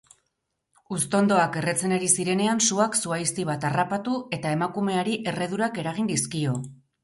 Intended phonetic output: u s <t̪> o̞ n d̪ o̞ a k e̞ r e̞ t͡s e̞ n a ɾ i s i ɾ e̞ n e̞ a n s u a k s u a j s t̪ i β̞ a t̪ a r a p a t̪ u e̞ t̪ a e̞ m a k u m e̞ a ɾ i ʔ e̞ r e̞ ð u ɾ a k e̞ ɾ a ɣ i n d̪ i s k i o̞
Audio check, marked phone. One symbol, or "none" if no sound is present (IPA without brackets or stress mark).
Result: t̪